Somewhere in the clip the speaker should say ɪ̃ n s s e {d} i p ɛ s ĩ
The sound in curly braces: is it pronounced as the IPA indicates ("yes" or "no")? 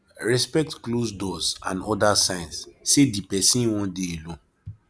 yes